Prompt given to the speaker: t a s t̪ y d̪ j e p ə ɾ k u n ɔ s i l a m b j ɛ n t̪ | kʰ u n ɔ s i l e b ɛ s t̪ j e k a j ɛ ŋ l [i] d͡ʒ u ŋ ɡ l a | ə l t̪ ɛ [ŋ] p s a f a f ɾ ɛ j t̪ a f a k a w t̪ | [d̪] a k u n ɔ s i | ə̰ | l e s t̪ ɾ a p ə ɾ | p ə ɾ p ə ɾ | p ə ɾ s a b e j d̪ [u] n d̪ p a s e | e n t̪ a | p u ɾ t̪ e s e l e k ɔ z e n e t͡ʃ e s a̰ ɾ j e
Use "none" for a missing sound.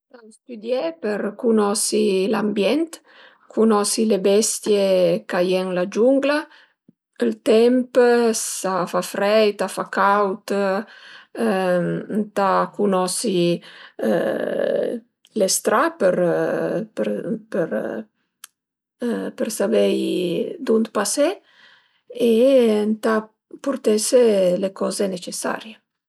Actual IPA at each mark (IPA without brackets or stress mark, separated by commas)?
a, m, t̪, u